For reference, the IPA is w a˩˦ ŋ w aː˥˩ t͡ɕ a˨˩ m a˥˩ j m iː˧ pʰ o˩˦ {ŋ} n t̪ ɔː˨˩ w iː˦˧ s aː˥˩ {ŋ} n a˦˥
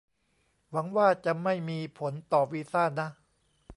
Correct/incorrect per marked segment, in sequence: incorrect: none, incorrect: none

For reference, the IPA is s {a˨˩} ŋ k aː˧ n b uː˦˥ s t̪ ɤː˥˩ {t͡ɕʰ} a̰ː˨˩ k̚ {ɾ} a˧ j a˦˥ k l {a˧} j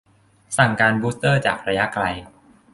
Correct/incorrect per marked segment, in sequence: correct, incorrect: t͡ɕ, correct, correct

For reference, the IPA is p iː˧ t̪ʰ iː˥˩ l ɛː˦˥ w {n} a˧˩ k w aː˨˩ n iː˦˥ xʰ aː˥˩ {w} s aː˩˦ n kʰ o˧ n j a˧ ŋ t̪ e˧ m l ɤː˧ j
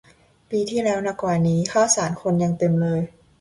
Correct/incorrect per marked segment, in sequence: correct, correct

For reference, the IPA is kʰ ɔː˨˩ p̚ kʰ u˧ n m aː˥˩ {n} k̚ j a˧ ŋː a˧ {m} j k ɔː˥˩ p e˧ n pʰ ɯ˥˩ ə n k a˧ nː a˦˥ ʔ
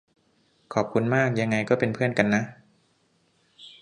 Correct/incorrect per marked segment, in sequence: incorrect: none, incorrect: none

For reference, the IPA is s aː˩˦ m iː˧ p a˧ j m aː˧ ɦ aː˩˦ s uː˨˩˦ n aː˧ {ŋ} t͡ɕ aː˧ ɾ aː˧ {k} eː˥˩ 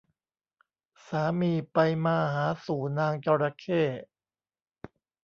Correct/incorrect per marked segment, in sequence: correct, incorrect: kʰ

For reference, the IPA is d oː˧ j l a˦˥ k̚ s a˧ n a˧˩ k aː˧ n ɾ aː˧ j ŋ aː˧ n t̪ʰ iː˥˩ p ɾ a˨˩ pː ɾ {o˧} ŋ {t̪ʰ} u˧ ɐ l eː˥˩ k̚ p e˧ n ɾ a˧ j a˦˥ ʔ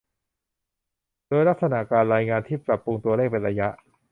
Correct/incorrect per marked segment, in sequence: incorrect: u˧, incorrect: t̪

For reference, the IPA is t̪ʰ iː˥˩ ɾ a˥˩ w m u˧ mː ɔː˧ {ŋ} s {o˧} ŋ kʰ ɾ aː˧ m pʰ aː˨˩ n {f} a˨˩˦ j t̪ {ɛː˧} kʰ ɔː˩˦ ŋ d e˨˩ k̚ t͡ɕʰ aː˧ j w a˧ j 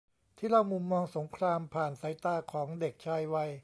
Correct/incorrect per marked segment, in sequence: correct, incorrect: o˩˦, incorrect: s, incorrect: aː˧

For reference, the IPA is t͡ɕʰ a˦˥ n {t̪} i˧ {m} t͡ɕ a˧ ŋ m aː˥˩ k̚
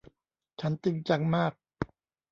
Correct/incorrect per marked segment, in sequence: correct, incorrect: ŋ

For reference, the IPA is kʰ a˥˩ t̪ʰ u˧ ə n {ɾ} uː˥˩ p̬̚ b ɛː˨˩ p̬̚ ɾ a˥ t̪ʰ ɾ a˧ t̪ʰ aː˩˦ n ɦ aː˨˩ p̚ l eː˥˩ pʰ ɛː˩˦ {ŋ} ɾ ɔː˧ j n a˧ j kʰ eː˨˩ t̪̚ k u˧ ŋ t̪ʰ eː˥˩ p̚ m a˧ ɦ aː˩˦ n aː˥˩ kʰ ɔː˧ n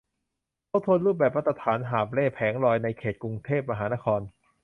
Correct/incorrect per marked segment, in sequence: correct, correct

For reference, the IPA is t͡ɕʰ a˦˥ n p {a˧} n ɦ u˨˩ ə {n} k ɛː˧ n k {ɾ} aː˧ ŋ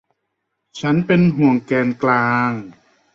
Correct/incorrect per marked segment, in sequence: incorrect: e˧, incorrect: ŋ, incorrect: l

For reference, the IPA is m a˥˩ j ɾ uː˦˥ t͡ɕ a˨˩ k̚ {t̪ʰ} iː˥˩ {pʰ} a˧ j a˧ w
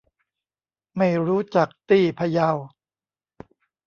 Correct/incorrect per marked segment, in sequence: incorrect: t̪, correct

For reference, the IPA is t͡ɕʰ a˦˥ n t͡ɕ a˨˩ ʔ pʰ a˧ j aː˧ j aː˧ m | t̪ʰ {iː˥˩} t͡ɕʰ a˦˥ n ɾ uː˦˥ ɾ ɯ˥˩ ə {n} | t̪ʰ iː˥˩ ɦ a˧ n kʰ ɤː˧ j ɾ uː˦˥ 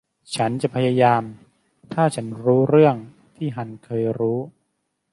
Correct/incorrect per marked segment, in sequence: incorrect: aː˥˩, incorrect: ŋ

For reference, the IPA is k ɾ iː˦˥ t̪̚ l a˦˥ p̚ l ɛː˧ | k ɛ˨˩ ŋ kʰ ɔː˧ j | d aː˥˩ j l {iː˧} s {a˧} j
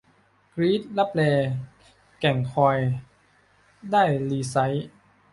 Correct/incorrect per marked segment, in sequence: correct, incorrect: a˦˥

